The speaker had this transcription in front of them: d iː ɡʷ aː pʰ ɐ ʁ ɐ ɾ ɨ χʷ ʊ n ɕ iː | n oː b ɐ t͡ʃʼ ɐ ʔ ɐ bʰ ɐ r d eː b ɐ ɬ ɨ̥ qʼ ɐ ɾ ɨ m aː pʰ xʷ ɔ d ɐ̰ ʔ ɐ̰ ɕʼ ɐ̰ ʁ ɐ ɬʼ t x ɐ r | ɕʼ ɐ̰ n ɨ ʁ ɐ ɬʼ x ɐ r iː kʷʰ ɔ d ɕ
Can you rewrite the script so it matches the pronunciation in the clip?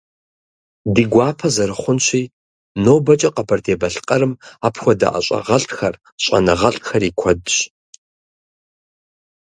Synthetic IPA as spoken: d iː ɡʷ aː pʰ ɐ z ɐ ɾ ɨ χʷ ʊ n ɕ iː | n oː b ɐ t͡ʃʼ ɐ q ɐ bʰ ɐ r d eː b ɐ ɬ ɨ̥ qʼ ɐ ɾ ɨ m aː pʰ xʷ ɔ d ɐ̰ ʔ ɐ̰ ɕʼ ɐ̰ ʁ ɐ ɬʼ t x ɐ r | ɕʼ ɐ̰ n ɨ ʁ ɐ ɬʼ x ɐ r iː kʷʰ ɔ d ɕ

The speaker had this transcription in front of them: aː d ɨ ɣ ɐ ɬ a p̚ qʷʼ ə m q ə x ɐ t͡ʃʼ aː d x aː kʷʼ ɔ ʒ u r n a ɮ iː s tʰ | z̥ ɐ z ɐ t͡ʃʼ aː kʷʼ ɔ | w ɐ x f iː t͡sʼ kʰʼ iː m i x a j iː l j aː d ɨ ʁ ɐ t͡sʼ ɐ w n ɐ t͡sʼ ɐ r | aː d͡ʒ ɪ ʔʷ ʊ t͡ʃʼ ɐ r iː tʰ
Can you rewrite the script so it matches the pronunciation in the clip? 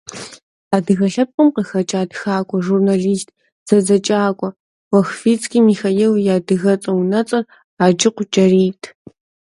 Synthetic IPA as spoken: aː d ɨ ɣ ɐ ɬ ɐ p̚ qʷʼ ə m q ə x ɐ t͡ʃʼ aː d x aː kʷʼ ɔ ʒ u r n a ɮ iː s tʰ | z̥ ɐ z ɐ t͡ʃʼ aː kʷʼ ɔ | w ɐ x f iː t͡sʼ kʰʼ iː m i x a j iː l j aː d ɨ ɣ ɐ t͡sʼ ɐ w n ɐ t͡sʼ ɐ r | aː d͡ʒ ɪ qʷ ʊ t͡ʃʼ ɐ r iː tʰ

